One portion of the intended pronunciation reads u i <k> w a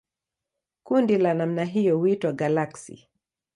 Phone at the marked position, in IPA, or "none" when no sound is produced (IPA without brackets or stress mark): t